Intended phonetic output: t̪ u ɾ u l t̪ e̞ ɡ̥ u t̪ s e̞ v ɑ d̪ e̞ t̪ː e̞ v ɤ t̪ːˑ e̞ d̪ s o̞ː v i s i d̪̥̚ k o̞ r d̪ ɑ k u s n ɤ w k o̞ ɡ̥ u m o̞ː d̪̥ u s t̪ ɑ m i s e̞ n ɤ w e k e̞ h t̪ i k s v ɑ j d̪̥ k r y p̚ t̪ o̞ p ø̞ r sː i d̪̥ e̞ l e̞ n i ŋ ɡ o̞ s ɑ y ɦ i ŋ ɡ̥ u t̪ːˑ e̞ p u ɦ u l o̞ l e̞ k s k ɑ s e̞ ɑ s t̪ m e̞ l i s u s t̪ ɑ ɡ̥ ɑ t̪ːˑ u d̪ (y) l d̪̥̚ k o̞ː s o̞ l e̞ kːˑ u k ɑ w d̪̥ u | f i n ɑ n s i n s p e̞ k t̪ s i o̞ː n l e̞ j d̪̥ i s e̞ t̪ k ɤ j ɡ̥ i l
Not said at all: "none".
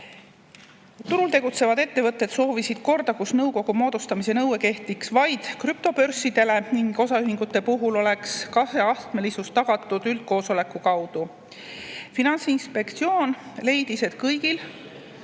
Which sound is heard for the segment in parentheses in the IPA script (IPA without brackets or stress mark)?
y